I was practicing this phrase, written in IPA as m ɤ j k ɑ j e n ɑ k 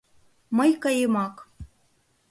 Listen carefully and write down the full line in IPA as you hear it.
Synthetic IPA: m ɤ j k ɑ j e m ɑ k